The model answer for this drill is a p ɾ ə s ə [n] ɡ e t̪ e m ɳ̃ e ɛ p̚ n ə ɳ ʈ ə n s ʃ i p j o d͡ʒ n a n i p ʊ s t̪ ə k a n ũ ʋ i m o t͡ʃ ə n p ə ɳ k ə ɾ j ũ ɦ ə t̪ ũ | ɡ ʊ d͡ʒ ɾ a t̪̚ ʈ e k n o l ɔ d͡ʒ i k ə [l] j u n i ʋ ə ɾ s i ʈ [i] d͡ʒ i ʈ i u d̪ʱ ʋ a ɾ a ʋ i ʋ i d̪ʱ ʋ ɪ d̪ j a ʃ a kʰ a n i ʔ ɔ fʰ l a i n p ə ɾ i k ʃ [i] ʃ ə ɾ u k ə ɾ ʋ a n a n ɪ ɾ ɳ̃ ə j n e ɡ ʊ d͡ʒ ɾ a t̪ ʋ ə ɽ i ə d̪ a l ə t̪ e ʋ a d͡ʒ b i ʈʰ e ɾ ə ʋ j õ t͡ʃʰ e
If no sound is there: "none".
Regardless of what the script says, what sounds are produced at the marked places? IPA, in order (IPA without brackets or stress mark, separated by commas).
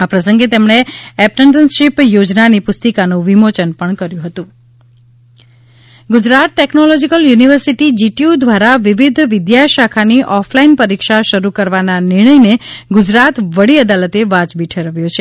ŋ, l, i, a